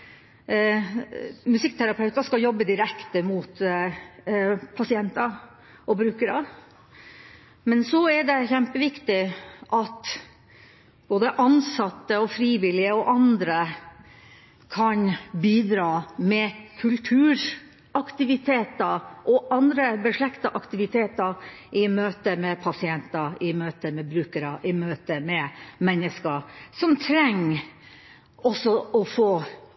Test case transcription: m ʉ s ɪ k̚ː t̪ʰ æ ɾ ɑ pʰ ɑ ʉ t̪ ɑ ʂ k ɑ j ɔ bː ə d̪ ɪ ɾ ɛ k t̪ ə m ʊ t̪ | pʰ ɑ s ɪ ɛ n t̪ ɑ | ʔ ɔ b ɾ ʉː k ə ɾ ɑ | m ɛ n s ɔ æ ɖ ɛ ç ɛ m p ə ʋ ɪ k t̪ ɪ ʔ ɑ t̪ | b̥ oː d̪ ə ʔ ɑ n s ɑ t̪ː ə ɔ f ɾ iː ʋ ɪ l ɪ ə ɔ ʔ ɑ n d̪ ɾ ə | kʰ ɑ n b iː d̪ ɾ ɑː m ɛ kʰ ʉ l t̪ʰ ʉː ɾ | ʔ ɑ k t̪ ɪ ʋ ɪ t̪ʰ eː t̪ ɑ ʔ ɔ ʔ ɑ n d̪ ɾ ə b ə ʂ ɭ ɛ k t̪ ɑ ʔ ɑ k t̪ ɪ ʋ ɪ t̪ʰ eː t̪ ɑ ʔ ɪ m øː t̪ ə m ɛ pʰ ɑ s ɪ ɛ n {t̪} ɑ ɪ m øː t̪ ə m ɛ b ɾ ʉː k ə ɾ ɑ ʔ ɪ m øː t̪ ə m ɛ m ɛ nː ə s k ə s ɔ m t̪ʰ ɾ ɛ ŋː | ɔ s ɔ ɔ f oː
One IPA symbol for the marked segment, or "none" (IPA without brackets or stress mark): t̪